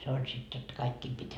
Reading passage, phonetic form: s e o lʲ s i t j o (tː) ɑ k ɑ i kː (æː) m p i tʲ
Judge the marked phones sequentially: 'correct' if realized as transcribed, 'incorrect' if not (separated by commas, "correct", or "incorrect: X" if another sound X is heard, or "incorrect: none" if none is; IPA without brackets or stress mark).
correct, incorrect: iː